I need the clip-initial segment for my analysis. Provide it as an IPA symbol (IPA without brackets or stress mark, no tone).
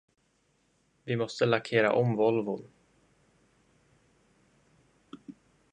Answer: v